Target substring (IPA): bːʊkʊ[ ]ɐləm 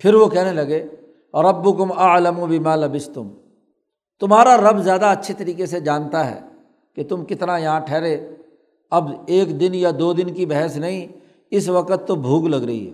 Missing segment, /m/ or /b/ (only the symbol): m